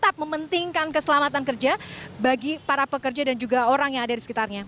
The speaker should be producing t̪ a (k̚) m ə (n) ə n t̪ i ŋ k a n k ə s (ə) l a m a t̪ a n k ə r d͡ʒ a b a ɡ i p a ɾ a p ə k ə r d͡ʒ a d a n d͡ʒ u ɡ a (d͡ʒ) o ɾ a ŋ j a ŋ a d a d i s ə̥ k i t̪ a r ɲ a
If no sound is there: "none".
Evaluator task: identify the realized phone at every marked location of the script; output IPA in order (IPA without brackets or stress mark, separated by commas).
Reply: p̚, m, ə, none